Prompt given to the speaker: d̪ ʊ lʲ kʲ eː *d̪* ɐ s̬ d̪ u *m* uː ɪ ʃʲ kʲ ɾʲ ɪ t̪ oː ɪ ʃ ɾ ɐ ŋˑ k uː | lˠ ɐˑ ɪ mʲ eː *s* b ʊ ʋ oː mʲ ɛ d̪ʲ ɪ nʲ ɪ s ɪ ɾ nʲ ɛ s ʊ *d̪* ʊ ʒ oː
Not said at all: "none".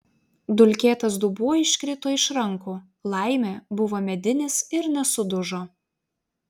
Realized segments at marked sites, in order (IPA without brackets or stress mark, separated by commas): t̪, b, none, d̪